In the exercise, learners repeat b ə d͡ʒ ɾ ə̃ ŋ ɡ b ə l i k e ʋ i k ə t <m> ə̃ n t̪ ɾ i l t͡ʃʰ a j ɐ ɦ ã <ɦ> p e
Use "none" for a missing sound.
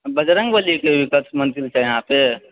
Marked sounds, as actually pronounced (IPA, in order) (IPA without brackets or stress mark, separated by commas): m, none